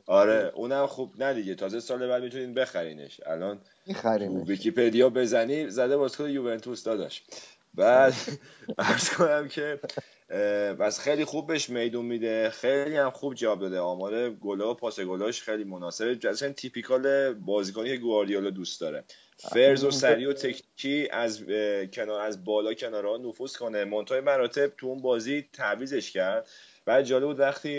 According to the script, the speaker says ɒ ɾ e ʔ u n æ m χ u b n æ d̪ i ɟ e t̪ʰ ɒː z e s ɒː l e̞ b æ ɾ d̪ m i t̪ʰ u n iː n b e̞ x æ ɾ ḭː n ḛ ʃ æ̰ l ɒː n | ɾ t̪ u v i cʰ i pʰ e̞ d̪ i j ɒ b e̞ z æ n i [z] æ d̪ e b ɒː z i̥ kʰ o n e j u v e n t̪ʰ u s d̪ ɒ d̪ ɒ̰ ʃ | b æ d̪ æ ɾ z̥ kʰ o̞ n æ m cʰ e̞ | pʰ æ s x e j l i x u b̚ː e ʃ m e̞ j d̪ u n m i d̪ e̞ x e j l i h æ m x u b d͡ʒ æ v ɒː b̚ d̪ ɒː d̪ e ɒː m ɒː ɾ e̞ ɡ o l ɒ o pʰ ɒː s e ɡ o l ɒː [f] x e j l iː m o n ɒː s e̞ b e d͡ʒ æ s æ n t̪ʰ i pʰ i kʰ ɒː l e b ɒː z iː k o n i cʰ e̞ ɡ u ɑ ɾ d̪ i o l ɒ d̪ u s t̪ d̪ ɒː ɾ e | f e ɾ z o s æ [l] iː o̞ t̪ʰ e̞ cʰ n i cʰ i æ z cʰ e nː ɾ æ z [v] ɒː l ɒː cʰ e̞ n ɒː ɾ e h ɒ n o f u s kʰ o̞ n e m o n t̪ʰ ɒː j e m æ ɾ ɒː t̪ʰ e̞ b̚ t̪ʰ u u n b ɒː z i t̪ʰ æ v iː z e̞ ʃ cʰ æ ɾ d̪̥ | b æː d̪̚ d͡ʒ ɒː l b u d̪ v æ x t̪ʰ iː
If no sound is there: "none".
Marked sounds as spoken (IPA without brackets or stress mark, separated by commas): z, ʃ, ɾ, b